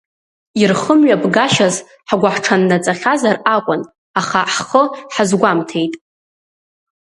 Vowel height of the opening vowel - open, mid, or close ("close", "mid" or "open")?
close